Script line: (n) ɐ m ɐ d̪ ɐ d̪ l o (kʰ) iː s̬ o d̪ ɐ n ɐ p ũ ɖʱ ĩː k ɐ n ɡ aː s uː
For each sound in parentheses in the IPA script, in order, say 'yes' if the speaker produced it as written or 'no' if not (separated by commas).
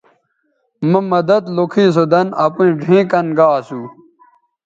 no, yes